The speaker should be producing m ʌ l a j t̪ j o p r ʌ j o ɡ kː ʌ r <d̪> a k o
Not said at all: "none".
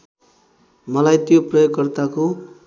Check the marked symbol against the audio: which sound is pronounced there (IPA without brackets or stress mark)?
t̪